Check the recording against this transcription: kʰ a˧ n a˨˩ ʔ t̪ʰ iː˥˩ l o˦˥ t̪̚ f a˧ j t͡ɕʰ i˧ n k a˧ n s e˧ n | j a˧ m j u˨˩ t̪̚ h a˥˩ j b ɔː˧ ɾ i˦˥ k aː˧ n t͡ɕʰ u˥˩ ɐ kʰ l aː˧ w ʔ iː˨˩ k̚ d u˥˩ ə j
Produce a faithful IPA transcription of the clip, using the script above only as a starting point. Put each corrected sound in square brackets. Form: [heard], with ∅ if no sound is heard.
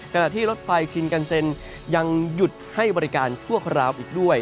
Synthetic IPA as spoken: kʰ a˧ n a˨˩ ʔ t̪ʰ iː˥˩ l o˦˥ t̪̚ f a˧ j t͡ɕʰ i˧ n k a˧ n s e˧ n | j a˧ [ŋ] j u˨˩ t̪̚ h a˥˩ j b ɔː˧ ɾ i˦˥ k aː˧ n t͡ɕʰ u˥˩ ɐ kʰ [ɾ] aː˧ w ʔ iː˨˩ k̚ d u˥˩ ə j